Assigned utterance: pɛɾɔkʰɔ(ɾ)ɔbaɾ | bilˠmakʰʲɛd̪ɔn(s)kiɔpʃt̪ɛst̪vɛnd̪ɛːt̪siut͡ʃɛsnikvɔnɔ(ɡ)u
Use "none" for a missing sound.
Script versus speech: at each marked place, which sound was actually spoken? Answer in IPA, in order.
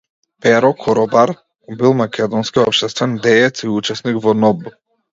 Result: ɾ, s, b

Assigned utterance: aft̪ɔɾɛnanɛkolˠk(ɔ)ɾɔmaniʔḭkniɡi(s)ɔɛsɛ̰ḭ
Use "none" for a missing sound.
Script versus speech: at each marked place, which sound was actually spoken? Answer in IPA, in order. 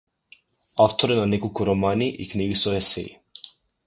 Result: u, s

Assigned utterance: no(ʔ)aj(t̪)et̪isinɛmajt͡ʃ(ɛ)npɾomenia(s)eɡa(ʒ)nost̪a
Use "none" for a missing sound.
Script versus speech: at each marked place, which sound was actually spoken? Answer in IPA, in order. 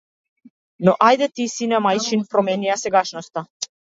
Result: ʔ, d̪, i, s, ʃ

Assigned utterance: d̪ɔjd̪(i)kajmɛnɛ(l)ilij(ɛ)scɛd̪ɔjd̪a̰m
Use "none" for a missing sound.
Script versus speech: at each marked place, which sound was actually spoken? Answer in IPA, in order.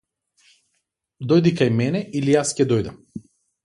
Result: i, none, a

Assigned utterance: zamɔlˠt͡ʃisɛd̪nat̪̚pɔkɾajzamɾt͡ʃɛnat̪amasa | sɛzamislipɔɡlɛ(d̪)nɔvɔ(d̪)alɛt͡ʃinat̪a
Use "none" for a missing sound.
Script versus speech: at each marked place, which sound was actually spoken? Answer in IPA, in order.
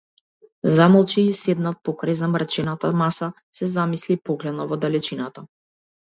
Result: d̪, d̪

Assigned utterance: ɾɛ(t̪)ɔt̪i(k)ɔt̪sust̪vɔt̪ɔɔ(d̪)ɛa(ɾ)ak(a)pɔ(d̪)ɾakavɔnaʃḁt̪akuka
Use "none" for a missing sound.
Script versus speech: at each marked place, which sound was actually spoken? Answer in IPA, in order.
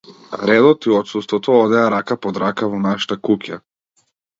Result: d̪, none, d̪, ɾ, a, d̪

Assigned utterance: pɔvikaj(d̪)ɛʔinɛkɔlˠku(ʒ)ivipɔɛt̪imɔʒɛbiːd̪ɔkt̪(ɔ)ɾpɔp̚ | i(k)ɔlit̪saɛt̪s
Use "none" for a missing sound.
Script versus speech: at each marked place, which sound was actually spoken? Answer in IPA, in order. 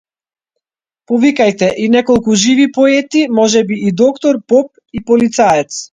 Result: t̪, ʒ, ɔ, p

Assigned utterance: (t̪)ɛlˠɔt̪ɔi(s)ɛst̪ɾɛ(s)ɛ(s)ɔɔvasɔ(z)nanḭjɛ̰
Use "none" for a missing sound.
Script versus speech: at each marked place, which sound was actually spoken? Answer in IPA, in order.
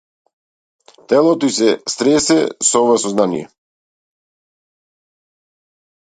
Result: t̪, s, s, s, z

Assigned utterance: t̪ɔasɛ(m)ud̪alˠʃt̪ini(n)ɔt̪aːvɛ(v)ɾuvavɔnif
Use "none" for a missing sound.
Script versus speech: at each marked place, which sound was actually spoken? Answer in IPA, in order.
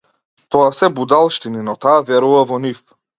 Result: b, n, none

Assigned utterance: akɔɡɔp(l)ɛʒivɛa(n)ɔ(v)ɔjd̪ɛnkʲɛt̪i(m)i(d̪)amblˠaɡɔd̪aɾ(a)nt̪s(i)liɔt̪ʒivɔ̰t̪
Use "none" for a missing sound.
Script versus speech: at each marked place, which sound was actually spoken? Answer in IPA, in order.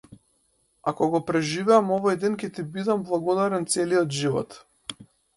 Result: ɾ, m, v, b, d̪, ɛ, ɛ

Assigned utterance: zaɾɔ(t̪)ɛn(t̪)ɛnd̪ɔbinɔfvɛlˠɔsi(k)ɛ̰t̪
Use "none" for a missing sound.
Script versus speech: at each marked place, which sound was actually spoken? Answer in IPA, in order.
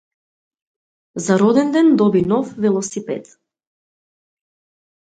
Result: d̪, d̪, p

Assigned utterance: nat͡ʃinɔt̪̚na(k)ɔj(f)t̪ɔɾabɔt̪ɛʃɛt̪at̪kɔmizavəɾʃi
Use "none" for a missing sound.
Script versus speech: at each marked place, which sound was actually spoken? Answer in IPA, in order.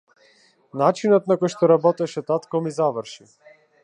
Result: k, ʃ

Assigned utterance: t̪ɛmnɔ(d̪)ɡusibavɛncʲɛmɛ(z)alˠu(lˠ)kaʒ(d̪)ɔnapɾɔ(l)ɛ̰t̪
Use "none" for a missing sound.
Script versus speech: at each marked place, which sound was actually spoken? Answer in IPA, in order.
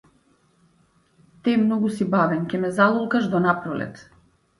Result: none, z, lˠ, d̪, l

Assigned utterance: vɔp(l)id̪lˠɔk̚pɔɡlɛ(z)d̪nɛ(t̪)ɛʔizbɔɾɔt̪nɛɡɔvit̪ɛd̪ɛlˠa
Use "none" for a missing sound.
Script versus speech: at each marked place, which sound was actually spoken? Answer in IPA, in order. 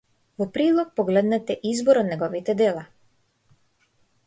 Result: ɾ, none, t̪

